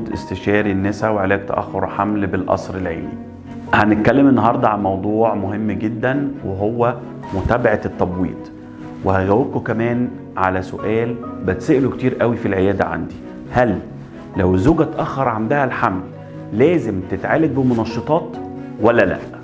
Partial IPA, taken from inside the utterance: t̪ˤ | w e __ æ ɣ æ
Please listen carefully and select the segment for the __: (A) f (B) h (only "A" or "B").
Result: B